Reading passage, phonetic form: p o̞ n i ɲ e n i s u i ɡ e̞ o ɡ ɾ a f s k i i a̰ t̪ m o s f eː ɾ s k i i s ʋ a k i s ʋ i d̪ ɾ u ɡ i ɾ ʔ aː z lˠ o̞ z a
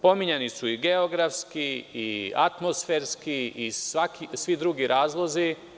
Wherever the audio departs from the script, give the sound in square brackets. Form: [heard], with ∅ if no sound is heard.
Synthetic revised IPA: p o̞ [m] i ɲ e n i s u i ɡ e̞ o ɡ ɾ a f s k i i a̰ t̪ m o s f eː ɾ s k i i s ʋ a k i s ʋ i d̪ ɾ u ɡ i ɾ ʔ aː z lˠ o̞ z [i]